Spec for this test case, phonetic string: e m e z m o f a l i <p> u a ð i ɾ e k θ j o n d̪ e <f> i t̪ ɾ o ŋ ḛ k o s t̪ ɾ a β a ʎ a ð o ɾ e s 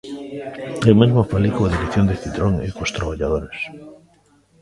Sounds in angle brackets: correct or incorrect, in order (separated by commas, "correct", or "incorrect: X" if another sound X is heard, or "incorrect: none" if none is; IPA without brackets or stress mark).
incorrect: k, incorrect: θ